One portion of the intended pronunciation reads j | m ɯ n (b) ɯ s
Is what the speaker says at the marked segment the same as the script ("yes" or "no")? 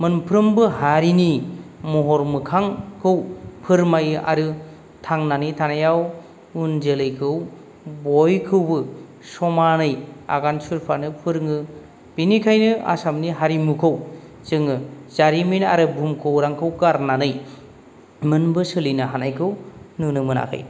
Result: yes